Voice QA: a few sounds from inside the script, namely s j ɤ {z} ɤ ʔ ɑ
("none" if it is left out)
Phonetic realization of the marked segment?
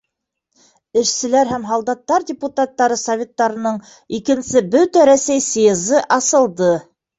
z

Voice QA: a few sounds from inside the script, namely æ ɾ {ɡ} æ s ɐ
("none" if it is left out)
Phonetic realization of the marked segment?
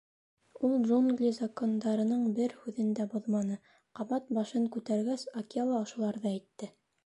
ɡ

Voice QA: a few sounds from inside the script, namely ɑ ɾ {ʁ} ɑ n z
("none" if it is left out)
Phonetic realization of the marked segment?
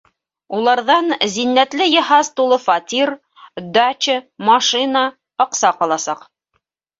ð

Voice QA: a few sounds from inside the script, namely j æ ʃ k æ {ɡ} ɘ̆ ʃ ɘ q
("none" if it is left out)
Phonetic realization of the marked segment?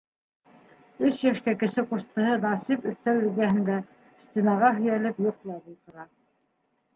k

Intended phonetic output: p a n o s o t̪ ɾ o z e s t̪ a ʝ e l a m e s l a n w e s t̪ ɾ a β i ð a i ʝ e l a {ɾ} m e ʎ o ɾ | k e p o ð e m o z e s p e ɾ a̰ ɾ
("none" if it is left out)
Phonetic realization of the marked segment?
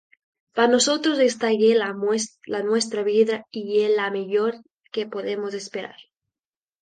none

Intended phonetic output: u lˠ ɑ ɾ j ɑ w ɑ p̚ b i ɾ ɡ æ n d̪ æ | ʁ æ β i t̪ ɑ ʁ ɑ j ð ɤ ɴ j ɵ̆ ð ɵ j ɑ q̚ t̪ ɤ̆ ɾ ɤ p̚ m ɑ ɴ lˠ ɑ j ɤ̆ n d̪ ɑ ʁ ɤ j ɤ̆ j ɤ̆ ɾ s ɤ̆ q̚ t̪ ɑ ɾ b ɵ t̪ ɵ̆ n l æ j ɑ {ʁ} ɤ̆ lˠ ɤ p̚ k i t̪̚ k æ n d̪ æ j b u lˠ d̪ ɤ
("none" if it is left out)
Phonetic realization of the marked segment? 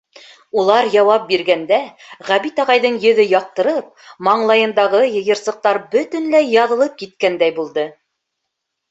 ð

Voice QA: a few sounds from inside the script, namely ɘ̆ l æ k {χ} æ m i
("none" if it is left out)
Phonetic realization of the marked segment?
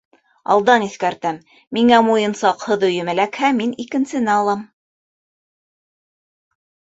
h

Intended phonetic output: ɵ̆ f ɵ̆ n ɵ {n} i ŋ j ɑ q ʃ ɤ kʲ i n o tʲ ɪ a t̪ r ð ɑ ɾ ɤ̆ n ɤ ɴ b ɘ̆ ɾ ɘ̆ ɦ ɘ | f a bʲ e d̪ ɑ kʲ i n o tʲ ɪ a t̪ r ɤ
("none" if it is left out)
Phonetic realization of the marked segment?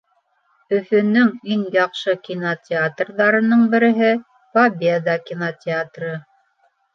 ŋ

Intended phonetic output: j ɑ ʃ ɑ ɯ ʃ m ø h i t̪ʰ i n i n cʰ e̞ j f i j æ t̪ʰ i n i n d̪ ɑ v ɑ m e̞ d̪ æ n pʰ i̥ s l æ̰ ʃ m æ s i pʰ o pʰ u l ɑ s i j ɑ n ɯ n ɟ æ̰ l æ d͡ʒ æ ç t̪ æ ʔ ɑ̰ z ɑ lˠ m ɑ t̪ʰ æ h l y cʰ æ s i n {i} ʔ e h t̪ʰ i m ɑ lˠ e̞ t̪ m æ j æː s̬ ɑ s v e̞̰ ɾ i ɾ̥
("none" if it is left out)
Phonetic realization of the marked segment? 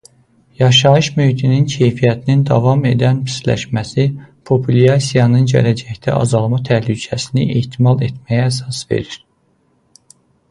i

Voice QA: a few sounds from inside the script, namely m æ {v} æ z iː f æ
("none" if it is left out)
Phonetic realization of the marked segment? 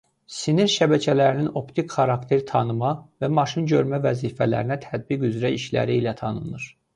v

